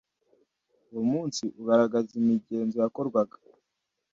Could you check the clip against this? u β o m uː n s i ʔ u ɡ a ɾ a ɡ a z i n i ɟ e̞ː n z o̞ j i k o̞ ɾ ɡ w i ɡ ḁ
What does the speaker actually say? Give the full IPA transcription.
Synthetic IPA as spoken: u w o m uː n s i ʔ u ɡ a ɾ a ɡ a z i m i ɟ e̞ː n z o̞ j a k o̞ ɾ ɡ w a ɡ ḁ